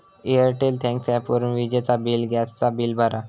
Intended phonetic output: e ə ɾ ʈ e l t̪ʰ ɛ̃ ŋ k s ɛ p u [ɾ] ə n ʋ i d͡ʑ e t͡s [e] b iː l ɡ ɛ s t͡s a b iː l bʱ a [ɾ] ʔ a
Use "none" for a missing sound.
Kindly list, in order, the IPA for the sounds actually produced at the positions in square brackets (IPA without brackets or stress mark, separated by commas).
ɾ, a, ɾ